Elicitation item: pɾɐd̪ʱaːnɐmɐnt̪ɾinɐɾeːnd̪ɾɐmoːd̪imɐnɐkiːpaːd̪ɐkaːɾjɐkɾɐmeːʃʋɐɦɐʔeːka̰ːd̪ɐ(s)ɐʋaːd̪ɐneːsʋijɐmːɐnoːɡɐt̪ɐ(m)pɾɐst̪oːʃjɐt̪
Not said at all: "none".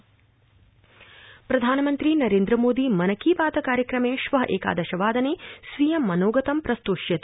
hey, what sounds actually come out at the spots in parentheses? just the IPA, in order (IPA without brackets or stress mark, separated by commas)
ʃ, m